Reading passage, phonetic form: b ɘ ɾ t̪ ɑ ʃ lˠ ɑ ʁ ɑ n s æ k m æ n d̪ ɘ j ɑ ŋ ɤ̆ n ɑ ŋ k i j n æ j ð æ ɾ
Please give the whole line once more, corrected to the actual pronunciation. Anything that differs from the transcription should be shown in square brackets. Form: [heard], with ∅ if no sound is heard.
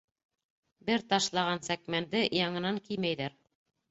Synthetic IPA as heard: b ɘ ɾ t̪ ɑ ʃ lˠ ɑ ʁ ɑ n s æ k m æ n d̪ ɘ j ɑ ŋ ɤ̆ n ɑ ŋ k i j [m] æ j ð æ ɾ